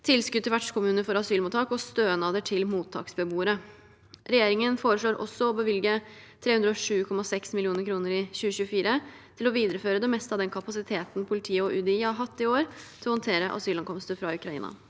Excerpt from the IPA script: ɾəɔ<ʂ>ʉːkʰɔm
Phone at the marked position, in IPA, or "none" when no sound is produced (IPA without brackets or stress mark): ʂ